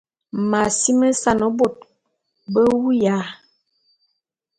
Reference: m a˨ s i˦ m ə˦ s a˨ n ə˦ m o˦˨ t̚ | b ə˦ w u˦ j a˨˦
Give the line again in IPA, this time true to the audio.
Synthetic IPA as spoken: m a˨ s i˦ m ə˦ s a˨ n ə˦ b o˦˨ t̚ | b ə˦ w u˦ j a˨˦